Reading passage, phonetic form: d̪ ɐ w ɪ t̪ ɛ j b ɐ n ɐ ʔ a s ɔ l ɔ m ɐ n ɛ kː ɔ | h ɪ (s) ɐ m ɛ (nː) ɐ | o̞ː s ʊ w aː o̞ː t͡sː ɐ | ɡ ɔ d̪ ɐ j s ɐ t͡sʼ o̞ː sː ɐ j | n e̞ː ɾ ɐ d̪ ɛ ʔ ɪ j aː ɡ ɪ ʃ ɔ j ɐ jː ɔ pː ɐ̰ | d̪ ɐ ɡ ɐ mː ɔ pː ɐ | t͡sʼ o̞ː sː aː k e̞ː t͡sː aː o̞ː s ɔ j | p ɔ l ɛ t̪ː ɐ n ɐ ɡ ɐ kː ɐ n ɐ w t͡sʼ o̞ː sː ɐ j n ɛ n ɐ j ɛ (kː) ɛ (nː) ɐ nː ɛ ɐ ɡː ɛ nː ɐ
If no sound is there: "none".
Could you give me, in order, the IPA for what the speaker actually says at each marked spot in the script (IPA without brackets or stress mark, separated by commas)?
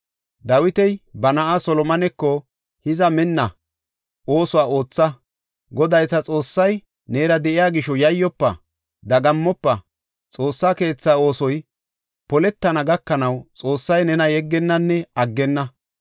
z, nː, ɡː, nː